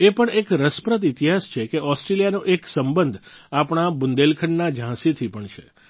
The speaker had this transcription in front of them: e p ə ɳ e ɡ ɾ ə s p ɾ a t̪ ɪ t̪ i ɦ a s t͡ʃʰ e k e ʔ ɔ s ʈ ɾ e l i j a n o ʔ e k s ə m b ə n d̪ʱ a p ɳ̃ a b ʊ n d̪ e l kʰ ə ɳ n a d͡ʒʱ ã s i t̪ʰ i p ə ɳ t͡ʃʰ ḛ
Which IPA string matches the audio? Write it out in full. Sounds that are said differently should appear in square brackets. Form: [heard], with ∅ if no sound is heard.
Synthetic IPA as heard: e p ə ɳ e [k] ɾ ə s p ɾ [ə] t̪ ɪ t̪ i ɦ a s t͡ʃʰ e k e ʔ ɔ s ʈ ɾ e l i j a n o ʔ e k s ə m b ə n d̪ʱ a p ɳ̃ a b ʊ n d̪ e l kʰ ə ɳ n a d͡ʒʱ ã s i t̪ʰ i p ə ɳ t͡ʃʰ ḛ